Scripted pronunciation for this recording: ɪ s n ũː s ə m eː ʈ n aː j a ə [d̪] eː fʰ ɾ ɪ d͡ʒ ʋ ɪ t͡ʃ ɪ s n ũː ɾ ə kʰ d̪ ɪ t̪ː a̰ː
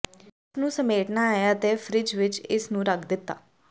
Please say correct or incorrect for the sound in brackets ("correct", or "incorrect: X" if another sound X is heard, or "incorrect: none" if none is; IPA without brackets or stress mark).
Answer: incorrect: t̪